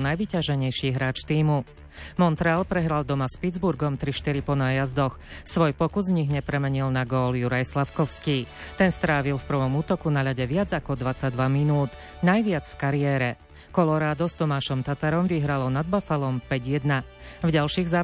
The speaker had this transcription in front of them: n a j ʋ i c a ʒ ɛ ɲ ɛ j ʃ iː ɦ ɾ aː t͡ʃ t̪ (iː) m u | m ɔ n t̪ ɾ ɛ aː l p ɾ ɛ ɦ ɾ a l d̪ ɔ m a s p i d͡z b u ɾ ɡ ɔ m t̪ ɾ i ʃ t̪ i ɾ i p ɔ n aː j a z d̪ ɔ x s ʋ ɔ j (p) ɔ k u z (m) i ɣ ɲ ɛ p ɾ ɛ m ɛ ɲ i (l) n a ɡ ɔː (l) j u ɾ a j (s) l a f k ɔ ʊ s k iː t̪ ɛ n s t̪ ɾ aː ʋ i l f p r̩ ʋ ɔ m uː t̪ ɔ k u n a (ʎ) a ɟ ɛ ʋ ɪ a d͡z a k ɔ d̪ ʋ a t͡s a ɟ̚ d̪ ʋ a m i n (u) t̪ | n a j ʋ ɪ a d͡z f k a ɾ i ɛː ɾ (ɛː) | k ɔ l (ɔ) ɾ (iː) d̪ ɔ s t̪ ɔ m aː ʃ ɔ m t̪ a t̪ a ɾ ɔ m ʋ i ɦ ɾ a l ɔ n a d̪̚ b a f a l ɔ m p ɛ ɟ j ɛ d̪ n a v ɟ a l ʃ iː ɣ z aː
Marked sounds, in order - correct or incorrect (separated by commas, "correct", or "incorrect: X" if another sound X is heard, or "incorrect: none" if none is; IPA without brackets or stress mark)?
correct, correct, incorrect: ɲ, correct, correct, correct, correct, incorrect: uː, incorrect: ɛ, correct, incorrect: aː